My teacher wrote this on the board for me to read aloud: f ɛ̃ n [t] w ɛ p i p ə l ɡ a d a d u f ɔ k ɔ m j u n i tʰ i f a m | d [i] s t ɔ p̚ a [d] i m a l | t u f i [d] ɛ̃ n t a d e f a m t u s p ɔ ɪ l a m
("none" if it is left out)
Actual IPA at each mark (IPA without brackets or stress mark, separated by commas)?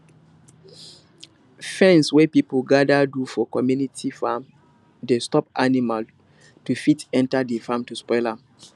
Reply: s, e, n, t